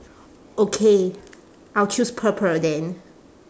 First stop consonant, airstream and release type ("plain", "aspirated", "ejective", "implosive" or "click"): aspirated